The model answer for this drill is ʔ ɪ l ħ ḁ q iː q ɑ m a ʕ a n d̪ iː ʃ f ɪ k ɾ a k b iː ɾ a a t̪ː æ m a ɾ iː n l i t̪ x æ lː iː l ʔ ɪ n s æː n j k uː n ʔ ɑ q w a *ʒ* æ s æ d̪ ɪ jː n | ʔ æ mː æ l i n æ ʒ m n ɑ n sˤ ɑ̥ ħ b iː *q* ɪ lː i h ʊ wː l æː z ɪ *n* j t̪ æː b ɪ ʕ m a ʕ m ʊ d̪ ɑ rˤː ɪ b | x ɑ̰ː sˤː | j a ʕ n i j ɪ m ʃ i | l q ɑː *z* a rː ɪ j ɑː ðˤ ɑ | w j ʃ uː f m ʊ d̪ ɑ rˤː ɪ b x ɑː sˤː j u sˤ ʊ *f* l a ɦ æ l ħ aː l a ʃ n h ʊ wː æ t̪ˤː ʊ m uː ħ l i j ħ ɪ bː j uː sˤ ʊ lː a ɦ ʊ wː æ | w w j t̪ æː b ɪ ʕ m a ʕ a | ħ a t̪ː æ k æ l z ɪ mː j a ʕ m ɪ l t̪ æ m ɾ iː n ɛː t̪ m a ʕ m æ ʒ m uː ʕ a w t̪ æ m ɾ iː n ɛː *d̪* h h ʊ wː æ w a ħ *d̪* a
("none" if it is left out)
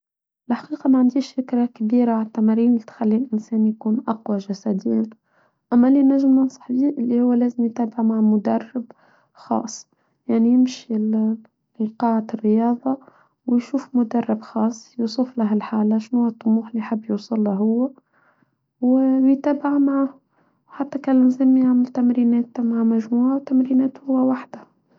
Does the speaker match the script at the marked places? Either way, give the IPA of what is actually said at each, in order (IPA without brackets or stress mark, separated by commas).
ʒ, ʔ, m, ʕ, f, t̪, d̪